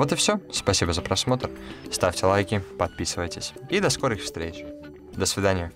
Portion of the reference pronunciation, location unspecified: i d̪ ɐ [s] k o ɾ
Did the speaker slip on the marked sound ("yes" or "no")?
no